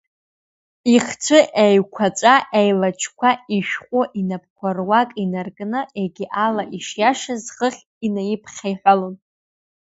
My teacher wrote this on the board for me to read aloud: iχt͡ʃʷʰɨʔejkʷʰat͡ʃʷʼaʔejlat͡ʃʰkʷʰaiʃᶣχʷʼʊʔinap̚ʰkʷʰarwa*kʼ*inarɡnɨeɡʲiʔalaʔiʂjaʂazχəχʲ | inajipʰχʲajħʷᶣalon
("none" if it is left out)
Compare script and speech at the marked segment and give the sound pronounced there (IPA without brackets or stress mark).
kʼ